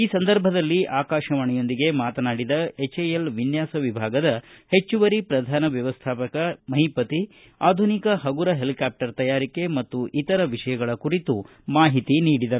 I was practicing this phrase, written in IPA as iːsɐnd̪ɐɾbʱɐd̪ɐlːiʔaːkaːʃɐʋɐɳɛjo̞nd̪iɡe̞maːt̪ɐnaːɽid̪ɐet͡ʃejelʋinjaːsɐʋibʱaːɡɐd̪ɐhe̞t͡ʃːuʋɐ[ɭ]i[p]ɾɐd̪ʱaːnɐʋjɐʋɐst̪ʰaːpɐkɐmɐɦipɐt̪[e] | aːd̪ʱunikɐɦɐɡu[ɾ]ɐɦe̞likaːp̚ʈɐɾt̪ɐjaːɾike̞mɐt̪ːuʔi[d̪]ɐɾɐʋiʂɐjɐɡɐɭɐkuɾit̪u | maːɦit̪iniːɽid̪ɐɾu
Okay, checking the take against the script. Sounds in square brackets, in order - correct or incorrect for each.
incorrect: ɾ, correct, incorrect: i, correct, incorrect: t̪

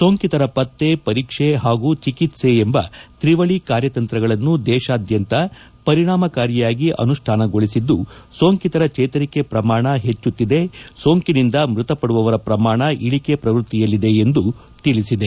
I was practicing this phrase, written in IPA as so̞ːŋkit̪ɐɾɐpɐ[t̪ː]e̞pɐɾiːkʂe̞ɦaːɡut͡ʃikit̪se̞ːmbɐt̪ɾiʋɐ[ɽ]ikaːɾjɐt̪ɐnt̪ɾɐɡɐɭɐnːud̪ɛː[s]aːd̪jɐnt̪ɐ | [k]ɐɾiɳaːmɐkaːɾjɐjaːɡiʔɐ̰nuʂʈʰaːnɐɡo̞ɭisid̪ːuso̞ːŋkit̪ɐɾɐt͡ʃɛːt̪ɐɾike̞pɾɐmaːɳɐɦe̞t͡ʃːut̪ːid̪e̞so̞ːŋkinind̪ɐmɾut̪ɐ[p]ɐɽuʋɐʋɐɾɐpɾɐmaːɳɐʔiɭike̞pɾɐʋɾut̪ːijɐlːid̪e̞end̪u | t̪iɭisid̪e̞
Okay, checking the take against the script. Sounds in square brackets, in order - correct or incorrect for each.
correct, incorrect: ɭ, incorrect: ʃ, incorrect: p, correct

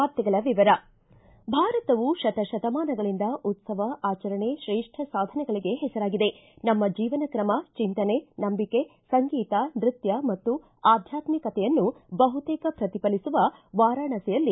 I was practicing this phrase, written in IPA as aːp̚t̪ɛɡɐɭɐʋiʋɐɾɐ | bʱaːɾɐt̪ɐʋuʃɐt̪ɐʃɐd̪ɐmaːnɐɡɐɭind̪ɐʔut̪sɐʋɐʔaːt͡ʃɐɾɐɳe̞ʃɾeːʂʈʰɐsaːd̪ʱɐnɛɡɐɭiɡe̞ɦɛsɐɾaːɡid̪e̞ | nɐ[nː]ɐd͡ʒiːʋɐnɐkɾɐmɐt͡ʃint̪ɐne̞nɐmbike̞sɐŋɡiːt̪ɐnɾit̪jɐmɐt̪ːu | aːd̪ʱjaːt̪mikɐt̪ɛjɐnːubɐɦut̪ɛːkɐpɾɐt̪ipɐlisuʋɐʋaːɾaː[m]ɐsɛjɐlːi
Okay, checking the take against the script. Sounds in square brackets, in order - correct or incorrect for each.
incorrect: mː, incorrect: ɳ

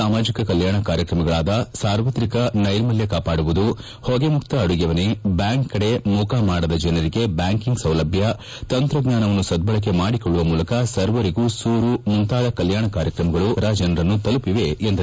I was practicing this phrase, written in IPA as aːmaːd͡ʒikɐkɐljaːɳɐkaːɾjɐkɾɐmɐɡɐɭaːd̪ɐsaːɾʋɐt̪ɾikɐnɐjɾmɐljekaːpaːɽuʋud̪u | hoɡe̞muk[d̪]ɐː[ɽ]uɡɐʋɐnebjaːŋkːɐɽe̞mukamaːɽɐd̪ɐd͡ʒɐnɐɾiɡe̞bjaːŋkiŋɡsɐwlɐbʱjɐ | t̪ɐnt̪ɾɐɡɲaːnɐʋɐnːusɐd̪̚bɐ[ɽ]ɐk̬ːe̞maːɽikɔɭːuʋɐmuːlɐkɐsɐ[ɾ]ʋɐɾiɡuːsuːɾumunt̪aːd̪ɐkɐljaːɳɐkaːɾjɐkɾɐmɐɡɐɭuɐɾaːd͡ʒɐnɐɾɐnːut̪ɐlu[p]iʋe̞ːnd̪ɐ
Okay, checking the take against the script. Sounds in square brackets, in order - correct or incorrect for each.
incorrect: t̪, correct, incorrect: ɭ, correct, correct

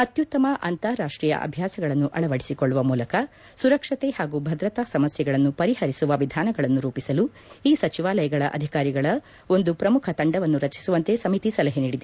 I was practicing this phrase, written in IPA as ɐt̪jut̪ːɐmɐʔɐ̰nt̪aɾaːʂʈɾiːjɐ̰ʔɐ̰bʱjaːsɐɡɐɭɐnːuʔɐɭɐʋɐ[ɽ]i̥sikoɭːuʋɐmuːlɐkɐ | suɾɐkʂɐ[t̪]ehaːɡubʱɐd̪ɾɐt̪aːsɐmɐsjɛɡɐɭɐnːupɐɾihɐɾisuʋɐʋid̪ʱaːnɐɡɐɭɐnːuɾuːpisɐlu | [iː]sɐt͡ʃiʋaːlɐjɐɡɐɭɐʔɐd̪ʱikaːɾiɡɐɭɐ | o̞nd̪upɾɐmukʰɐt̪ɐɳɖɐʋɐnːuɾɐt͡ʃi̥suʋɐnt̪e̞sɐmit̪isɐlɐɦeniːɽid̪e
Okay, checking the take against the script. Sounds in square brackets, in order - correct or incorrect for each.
correct, correct, correct

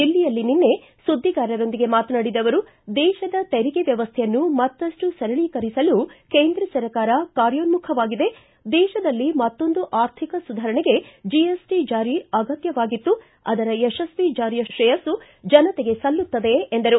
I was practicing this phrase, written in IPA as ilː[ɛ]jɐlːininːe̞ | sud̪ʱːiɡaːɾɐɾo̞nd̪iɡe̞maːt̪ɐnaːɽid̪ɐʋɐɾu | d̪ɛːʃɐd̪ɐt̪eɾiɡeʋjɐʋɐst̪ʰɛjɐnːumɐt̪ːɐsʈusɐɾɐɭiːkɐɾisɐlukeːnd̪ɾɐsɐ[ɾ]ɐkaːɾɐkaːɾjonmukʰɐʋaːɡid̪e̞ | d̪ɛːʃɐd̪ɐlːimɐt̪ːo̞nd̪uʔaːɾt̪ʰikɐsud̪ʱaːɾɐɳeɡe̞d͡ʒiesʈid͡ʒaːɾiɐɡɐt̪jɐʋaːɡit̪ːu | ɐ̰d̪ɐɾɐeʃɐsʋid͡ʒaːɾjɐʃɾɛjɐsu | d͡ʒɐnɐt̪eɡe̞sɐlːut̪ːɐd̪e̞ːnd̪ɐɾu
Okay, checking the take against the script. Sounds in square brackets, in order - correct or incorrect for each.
incorrect: i, correct

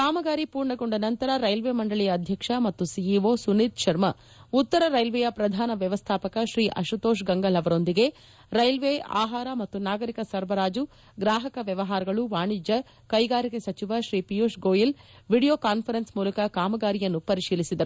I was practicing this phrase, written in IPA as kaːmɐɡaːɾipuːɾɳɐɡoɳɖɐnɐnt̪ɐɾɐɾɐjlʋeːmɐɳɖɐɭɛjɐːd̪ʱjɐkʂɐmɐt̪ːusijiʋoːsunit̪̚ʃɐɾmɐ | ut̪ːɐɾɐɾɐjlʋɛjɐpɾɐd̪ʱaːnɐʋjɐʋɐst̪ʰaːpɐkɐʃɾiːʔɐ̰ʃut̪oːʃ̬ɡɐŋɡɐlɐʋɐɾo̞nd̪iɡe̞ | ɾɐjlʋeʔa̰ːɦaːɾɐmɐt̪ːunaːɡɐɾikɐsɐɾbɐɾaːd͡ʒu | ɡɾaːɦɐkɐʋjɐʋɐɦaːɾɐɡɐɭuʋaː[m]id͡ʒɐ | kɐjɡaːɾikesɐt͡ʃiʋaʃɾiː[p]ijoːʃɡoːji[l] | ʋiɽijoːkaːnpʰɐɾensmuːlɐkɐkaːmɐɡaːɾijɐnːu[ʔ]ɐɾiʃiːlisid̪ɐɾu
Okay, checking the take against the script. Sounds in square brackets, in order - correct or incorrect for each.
incorrect: ɳ, correct, correct, incorrect: p

